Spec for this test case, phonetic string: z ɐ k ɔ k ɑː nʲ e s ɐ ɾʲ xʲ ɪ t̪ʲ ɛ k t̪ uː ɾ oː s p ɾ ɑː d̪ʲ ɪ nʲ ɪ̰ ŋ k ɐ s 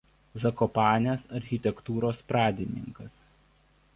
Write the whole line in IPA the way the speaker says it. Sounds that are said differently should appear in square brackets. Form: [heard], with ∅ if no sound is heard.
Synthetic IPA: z ɐ k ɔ [p] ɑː nʲ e s ɐ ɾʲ xʲ ɪ t̪ʲ ɛ k t̪ uː ɾ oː s p ɾ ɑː d̪ʲ ɪ nʲ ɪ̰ ŋ k ɐ s